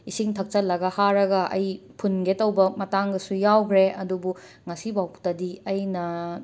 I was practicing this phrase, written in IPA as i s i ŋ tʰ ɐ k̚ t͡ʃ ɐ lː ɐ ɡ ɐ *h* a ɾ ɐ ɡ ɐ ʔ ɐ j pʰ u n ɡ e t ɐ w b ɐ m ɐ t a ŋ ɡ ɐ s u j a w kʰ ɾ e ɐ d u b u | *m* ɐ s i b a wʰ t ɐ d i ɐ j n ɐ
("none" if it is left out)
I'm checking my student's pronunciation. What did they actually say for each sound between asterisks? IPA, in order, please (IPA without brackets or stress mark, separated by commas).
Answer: h, ŋ